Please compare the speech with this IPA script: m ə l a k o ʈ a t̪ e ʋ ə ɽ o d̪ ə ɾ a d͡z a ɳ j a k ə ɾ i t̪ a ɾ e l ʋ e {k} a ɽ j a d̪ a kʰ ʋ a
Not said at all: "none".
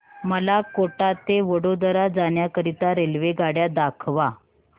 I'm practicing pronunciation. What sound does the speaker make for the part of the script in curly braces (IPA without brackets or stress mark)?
ɡ